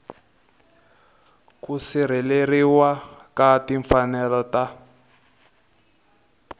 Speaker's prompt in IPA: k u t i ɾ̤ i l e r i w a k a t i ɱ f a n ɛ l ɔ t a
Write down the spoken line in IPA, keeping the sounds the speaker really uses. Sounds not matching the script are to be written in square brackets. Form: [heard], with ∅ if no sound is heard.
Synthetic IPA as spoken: k u [s] i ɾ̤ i l e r i w a k a t i ɱ f a n ɛ l ɔ t a